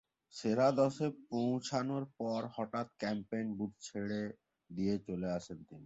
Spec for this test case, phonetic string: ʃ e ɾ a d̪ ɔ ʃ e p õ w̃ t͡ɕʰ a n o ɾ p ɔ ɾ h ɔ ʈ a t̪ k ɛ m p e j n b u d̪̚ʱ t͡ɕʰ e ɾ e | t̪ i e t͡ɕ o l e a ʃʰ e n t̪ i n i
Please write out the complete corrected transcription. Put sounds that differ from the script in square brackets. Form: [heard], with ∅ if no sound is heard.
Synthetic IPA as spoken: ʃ e ɾ a d̪ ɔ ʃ e p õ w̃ t͡ɕʰ a n o ɾ p ɔ ɾ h ɔ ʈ a t̪ k ɛ m p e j n b u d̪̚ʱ t͡ɕʰ e [ɽ] e | [d̪] i e t͡ɕ o l e a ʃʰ e n t̪ i n i